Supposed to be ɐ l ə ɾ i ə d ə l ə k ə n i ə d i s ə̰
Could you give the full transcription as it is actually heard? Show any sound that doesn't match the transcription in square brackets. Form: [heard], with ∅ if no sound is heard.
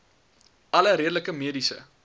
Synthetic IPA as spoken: ɐ l ə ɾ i ə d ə l ə k ə [m] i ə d i s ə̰